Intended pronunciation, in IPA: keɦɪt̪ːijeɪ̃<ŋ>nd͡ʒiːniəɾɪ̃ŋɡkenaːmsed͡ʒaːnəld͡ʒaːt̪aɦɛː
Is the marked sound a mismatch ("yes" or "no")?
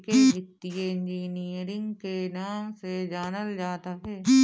yes